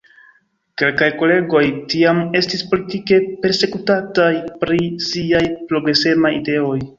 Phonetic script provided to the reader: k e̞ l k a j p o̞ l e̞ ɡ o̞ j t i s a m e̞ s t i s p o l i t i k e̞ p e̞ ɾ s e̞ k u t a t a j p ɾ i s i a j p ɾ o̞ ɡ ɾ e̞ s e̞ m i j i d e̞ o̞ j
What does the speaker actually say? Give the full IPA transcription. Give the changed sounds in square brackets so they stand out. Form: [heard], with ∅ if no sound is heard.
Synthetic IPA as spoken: k e̞ l k a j [k] o̞ l e̞ ɡ o̞ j t i [∅] a m e̞ s t i s p o l i t i k e̞ p e̞ ɾ s e̞ k u t a t a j p ɾ i s i a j p ɾ o̞ ɡ ɾ e̞ s e̞ m [a] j i d e̞ o̞ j